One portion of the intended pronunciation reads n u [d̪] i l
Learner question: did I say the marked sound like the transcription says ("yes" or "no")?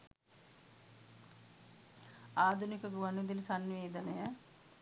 yes